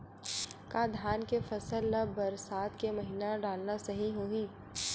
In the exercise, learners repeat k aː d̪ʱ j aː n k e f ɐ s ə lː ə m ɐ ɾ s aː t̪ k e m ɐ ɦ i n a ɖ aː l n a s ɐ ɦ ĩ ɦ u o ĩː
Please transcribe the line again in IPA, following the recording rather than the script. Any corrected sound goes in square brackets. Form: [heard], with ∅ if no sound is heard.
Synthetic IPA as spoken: k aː d̪ʱ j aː n k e f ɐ s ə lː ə [b] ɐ ɾ s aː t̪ k e m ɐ ɦ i n a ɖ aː l n a s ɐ ɦ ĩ ɦ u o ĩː